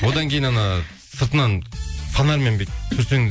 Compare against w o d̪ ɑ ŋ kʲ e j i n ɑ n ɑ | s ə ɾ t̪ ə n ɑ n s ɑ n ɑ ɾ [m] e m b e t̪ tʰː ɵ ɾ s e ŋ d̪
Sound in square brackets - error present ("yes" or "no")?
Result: no